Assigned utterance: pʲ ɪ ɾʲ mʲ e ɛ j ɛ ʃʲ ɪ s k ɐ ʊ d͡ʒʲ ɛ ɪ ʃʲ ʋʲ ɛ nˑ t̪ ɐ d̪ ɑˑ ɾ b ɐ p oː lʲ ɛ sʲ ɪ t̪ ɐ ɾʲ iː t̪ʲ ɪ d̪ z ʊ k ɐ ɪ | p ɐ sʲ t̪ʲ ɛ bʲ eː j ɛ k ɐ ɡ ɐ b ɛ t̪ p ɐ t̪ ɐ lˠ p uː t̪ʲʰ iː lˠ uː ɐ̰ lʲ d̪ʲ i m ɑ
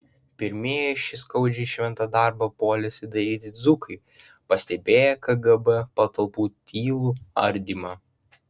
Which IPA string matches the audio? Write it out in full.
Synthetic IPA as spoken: pʲ ɪ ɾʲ mʲ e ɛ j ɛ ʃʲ ɪ s k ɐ ʊ d͡ʒʲ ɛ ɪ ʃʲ ʋʲ ɛ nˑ t̪ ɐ d̪ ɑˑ ɾ b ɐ p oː lʲ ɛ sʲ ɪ d̪ ɐ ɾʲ iː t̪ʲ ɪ d̪ z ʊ k ɐ ɪ | p ɐ sʲ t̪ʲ ɛ bʲ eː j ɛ k ɐ ɡ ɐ b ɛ p ɐ t̪ ɐ lˠ p uː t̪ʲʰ iː lˠ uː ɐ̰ ɾʲ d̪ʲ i m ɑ